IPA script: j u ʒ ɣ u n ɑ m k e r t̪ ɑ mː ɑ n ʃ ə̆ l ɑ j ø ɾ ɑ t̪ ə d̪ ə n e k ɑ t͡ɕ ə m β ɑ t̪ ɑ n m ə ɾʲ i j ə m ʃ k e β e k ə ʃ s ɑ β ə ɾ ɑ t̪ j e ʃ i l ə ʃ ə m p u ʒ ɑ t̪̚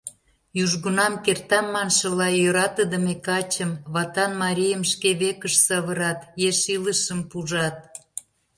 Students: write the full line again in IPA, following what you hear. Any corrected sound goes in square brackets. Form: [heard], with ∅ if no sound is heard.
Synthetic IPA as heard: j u ʒ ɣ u n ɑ m k e r t̪ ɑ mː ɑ n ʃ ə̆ l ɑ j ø ɾ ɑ t̪ ə d̪ ə [m] e k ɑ t͡ɕ ə m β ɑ t̪ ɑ n m [ɑ] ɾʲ i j ə m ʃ k e β e k ə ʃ s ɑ β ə ɾ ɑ t̪ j e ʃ i l ə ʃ ə m p u ʒ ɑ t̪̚